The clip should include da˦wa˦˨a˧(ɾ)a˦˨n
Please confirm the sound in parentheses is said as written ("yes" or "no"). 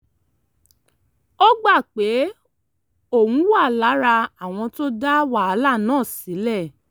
no